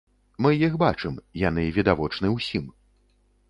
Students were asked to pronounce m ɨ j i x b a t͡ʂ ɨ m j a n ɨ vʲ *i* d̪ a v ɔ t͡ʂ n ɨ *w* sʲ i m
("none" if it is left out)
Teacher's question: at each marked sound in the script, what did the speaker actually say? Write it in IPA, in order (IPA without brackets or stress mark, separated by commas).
i, w